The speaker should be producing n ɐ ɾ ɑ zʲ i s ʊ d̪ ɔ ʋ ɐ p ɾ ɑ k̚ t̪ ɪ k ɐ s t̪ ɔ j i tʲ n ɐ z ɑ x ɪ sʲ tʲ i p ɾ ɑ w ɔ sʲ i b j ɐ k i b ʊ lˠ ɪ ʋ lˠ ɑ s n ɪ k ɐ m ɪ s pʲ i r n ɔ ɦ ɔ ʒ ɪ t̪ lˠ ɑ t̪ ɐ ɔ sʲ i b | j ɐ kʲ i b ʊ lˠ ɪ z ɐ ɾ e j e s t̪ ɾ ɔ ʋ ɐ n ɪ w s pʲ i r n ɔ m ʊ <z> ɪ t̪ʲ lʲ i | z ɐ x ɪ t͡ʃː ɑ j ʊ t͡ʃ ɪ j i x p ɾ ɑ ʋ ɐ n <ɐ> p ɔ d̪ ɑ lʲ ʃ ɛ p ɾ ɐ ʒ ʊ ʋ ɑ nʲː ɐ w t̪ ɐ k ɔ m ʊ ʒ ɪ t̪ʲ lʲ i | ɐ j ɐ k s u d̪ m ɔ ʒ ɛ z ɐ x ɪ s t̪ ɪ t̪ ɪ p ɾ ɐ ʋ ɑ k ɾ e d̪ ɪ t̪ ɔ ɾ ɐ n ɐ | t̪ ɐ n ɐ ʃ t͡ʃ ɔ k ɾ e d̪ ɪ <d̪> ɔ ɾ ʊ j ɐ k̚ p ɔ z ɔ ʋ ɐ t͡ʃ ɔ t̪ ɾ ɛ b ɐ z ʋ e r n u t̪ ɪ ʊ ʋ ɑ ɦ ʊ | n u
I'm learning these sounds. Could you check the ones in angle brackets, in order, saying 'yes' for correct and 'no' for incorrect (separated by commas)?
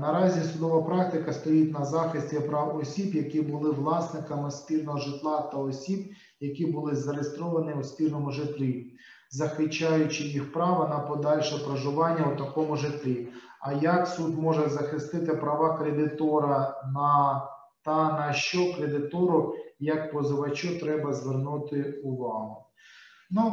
no, yes, no